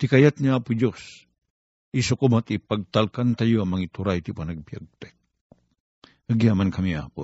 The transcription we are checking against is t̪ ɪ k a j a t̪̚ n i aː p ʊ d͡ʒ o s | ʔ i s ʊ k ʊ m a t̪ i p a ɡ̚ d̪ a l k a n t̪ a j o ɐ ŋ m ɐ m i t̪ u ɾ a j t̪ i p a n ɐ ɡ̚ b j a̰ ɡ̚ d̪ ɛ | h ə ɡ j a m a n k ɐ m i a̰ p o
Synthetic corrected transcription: t̪ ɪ k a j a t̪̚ n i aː p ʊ d͡ʒ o s | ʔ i s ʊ k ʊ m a t̪ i p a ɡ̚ t̪ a l k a n t̪ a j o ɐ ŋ m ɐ ŋ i t̪ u ɾ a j t̪ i p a n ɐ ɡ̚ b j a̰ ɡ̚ t̪ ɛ | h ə ɡ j a m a n k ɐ m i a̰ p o